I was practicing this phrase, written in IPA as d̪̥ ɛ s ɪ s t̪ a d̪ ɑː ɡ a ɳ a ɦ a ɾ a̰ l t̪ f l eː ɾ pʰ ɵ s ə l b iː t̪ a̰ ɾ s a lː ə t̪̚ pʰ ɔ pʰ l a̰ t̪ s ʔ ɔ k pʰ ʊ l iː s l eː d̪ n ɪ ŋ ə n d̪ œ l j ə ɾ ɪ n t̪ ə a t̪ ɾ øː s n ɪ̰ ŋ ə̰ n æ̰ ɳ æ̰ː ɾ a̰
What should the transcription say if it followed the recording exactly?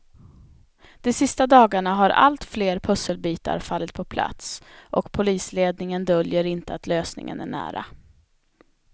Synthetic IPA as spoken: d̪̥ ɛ s ɪ s t̪ a d̪ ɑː ɡ a ɳ a ɦ a ɾ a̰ l t̪ f l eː ɾ pʰ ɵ s ə l b iː t̪ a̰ ɾ f a lː ə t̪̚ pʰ ɔ pʰ l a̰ t̪ s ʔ ɔ k pʰ ʊ l iː s l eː d̪ n ɪ ŋ ə n d̪ œ l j ə ɾ ɪ n t̪ ə a t̪ l øː s n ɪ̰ ŋ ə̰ n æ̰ ɳ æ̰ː ɾ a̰